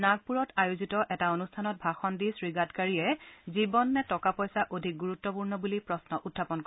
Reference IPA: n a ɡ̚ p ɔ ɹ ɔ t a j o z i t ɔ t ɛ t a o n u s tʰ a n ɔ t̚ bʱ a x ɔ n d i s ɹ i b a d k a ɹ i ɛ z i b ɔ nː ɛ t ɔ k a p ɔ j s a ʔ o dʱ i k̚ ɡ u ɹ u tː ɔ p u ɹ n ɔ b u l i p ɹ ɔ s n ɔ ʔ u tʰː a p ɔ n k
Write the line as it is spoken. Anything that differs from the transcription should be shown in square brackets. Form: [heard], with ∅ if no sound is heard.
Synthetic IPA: n a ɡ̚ p [u] ɹ ɔ t a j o z i t ɔ [ʔ] ɛ t a o n u s tʰ a n ɔ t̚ bʱ a x ɔ n d i s ɹ i [ɡ] a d k a ɹ i ɛ z i b ɔ nː ɛ t ɔ k a p ɔ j s a ʔ o dʱ i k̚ ɡ u ɹ u tː ɔ p u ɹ n ɔ b u l i p ɹ ɔ s n ɔ ʔ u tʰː a p ɔ n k